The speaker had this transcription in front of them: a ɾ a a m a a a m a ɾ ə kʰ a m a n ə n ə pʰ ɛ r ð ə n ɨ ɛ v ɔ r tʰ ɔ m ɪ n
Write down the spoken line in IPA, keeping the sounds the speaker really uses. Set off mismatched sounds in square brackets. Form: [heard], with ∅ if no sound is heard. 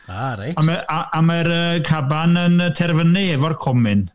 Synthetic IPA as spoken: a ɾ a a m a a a m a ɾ ə kʰ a [b] a n ə n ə [tʰ] ɛ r [v] ə n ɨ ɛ v ɔ r [kʰ] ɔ m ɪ n